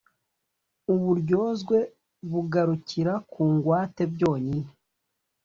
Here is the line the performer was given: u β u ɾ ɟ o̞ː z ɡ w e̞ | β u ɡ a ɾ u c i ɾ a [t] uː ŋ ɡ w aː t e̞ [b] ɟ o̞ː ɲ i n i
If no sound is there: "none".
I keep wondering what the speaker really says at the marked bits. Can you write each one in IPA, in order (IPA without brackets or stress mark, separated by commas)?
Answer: k, b